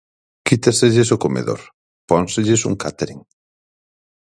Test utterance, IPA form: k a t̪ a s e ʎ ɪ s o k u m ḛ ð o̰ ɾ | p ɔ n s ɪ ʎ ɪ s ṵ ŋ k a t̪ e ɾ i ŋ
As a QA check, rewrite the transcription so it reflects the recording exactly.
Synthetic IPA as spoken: k i t̪ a s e ʎ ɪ s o k o m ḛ ð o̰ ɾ | p ɔ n s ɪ ʎ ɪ s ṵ ŋ k a t̪ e ɾ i ŋ